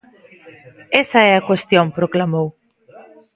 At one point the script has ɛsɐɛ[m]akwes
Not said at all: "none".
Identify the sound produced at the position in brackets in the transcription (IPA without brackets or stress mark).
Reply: none